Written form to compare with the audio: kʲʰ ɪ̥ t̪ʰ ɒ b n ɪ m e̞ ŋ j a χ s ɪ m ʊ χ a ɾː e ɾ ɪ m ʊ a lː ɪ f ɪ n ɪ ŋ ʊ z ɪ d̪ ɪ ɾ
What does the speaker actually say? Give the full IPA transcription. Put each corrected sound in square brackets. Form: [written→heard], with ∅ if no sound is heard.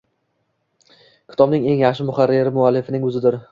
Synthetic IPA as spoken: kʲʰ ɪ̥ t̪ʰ ɒ b n ɪ [m→ŋ] e̞ ŋ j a χ [s→ʃ] ɪ m ʊ χ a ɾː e ɾ ɪ m ʊ a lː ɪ f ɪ n ɪ ŋ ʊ z ɪ d̪ ɪ ɾ